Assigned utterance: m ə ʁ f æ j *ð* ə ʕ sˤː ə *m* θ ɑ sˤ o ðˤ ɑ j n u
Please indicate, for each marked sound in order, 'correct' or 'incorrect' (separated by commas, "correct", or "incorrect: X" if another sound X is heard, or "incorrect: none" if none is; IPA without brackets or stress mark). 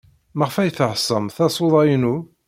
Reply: incorrect: θ, correct